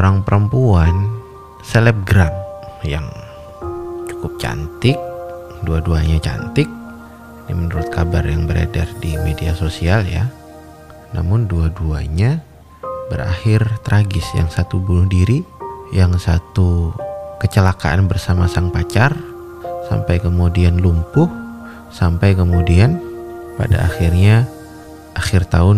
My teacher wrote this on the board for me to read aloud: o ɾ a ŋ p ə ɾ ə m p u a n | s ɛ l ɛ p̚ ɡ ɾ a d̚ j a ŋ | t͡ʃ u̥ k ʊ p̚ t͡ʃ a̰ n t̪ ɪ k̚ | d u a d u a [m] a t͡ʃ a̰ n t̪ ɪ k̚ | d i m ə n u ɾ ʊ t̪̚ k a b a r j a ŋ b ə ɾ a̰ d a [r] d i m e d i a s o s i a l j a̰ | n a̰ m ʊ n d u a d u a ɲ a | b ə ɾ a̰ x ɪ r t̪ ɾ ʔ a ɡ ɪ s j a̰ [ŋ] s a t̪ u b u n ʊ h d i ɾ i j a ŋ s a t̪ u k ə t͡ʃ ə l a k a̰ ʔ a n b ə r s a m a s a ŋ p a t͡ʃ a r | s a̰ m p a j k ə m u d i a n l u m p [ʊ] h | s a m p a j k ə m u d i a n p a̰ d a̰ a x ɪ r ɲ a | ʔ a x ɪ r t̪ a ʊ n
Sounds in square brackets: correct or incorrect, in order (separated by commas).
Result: incorrect, correct, correct, correct